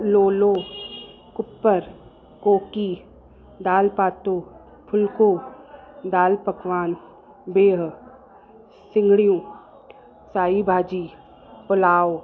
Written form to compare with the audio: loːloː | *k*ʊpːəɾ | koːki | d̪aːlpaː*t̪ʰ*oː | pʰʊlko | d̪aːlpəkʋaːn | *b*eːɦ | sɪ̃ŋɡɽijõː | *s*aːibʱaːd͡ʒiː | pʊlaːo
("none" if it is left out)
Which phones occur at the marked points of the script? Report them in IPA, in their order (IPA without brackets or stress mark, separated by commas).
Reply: k, t̪, b, s